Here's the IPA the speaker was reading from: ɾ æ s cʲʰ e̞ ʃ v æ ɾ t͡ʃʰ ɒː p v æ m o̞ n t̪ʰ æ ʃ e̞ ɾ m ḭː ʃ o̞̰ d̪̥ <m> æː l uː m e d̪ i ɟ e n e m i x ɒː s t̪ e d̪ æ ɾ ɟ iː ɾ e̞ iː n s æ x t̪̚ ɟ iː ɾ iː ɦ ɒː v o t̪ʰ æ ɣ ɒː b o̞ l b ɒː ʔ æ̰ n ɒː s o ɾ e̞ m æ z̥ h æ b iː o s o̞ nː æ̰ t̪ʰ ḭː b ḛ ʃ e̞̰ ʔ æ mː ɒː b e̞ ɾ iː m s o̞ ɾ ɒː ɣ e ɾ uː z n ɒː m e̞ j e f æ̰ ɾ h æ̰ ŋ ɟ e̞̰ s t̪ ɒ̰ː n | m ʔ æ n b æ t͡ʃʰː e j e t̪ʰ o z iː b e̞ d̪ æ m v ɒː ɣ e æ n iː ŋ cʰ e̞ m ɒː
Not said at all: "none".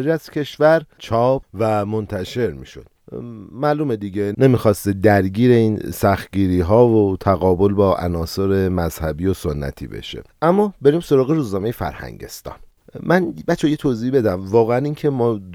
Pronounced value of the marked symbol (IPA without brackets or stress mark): m